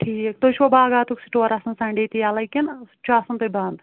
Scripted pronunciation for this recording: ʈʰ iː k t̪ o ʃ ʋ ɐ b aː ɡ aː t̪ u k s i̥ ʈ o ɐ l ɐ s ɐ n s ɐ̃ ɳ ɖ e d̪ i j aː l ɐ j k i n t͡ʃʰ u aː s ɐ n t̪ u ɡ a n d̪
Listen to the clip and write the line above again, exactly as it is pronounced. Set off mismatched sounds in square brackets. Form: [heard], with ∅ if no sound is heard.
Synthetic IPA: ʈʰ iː k t̪ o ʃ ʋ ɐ b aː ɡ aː t̪ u k s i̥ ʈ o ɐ [ɾ] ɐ s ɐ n s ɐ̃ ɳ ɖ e [t̪] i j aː l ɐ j k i n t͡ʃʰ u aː s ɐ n t̪ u [b] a n d̪